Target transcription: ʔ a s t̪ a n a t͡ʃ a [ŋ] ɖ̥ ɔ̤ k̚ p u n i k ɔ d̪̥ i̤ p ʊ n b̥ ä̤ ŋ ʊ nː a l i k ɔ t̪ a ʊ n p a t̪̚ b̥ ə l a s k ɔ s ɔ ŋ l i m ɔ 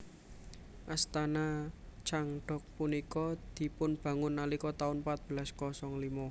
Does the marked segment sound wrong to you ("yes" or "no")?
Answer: no